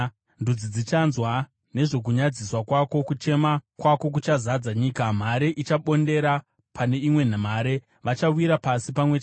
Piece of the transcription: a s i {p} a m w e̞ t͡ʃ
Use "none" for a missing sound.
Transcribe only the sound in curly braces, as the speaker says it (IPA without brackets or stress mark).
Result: p